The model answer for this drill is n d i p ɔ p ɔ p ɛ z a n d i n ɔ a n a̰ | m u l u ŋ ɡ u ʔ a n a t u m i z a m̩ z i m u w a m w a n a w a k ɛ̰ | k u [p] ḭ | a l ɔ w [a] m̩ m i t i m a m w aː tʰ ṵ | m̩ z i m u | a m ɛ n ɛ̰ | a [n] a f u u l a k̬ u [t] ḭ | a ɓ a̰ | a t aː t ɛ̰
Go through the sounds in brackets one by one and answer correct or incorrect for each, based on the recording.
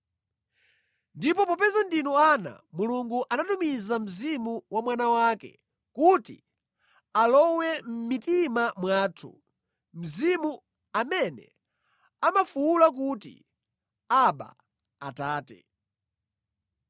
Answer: incorrect: t, incorrect: ɛ, incorrect: m, correct

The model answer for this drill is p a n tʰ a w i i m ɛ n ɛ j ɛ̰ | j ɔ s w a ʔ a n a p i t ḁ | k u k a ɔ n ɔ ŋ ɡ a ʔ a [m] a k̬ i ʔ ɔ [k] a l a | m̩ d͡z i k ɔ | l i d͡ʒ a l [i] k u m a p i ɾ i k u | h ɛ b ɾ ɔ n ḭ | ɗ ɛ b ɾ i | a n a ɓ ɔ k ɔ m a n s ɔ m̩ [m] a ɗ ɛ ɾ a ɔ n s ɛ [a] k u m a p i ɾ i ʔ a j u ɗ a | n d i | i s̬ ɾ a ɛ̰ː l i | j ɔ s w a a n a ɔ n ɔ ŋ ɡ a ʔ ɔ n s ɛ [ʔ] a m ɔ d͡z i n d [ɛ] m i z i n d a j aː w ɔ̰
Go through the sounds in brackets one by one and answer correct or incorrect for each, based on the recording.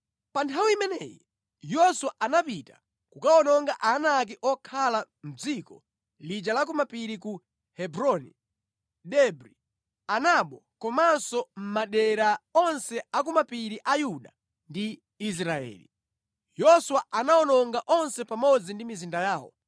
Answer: incorrect: n, incorrect: kʰ, incorrect: a, correct, correct, incorrect: p, incorrect: i

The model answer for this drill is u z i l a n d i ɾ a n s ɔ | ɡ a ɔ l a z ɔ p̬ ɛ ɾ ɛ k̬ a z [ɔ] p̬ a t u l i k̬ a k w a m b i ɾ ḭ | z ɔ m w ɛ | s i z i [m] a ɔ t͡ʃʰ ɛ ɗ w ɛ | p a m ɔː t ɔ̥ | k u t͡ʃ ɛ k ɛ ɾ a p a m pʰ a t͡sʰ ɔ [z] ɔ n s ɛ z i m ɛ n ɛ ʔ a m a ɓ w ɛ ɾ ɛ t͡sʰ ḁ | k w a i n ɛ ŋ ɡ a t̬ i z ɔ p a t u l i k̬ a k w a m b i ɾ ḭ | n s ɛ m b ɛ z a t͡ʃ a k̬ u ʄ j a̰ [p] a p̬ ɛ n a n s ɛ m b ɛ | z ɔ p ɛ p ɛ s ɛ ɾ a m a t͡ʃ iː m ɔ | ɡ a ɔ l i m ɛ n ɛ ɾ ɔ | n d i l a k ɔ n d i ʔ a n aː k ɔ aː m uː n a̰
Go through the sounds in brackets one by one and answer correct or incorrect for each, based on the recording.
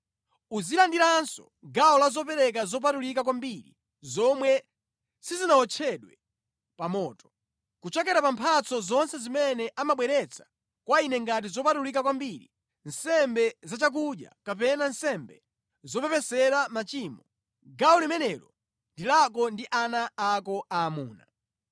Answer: correct, incorrect: n, correct, incorrect: k

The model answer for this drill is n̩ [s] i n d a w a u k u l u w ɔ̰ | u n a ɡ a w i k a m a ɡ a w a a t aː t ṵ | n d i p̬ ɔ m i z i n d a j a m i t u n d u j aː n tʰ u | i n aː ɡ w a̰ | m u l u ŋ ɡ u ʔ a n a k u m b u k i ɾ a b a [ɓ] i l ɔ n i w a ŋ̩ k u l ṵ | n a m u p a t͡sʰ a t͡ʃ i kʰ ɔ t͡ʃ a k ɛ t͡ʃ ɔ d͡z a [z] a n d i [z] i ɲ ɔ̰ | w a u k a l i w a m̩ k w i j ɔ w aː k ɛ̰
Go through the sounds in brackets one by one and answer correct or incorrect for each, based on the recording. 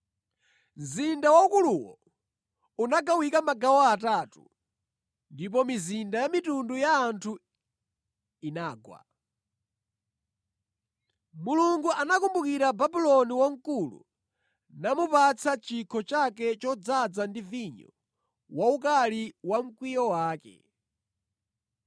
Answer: incorrect: z, incorrect: b, incorrect: d͡z, incorrect: v

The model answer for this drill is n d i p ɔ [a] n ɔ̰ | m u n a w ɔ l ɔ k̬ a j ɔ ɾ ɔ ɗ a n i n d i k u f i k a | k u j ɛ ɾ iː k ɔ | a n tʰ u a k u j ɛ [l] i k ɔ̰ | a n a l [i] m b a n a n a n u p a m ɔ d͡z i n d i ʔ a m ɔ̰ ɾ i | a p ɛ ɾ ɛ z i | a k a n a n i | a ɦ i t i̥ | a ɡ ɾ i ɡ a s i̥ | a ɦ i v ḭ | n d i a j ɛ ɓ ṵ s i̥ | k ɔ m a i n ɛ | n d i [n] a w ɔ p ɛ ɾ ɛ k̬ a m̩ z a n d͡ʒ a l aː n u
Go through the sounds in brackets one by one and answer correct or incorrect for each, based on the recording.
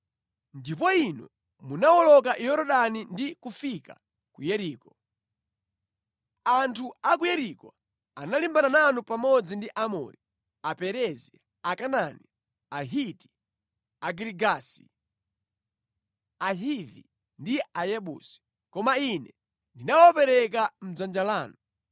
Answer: incorrect: i, incorrect: ɾ, correct, correct

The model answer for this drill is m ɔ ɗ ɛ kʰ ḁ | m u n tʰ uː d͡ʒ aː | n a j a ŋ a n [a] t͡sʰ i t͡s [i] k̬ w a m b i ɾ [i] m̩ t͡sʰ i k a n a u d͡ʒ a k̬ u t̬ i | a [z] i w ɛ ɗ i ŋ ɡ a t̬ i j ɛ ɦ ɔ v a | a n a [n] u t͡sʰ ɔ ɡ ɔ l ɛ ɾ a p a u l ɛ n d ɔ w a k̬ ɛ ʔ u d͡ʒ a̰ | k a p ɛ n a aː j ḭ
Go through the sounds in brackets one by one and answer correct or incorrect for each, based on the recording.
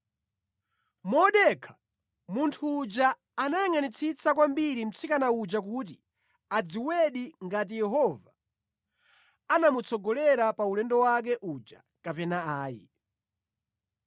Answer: incorrect: i, incorrect: a, correct, incorrect: d͡z, incorrect: m

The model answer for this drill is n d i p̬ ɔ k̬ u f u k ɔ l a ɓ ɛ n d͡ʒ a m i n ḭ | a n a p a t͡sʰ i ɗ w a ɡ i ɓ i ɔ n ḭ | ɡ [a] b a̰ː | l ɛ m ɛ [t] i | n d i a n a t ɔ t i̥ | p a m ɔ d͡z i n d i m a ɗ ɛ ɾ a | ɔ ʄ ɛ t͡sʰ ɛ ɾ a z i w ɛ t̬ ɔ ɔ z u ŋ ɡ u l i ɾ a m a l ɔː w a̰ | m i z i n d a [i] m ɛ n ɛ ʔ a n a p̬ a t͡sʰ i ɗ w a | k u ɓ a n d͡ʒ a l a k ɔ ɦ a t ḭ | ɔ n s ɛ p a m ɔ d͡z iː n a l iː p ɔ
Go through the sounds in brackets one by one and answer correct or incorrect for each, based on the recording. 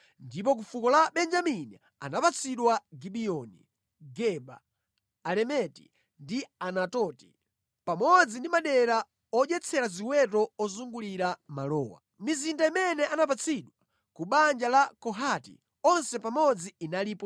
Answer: incorrect: ɛ, correct, correct

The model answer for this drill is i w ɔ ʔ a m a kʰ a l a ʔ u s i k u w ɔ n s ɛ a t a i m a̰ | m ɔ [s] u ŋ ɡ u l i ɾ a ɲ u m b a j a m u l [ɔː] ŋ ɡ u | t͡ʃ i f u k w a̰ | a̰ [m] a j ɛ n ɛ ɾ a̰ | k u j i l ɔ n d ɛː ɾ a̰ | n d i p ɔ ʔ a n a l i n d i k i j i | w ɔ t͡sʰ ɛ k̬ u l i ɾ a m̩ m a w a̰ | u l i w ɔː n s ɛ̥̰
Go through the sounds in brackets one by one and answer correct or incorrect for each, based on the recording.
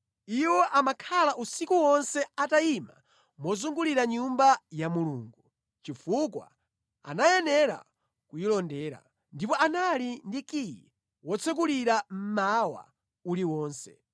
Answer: incorrect: z, incorrect: uː, incorrect: n

